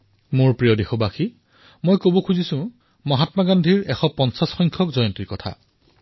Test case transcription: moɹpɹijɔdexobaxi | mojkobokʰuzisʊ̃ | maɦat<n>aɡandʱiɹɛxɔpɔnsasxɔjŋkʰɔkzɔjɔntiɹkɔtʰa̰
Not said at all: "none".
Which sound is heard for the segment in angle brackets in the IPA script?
m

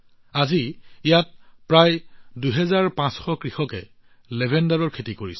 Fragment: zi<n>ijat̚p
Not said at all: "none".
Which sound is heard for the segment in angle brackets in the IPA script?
none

